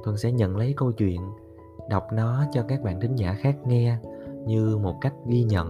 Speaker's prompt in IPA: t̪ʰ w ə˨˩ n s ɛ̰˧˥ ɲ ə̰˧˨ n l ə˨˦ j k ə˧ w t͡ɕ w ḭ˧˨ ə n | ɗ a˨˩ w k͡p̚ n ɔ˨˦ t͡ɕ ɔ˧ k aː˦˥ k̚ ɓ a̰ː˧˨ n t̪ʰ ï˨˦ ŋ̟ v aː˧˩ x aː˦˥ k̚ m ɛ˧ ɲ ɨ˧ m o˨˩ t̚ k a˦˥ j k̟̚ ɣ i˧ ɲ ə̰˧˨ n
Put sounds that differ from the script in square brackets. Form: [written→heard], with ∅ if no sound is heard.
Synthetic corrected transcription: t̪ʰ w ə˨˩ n s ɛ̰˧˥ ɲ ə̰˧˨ n l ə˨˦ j k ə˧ w t͡ɕ w ḭ˧˨ ə n | ɗ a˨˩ w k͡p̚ n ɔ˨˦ t͡ɕ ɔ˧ k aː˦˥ k̚ ɓ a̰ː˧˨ n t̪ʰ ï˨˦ ŋ̟ [v→z] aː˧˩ x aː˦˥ k̚ [m→ŋ] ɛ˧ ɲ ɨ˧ m o˨˩ t̚ k a˦˥ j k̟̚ ɣ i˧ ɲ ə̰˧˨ n